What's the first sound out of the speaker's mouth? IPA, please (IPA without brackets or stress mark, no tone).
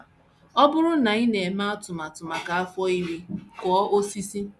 ɔ